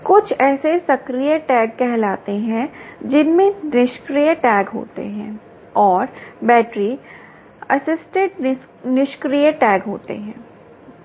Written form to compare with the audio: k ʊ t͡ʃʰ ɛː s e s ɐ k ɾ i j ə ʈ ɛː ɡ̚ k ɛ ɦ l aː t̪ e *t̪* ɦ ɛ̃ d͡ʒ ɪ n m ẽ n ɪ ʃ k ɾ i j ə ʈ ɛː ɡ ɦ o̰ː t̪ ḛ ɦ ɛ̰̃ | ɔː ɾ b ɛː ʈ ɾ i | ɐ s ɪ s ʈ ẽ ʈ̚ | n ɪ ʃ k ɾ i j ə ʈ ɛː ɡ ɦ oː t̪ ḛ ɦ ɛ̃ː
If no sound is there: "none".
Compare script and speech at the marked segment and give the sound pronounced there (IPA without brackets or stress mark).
none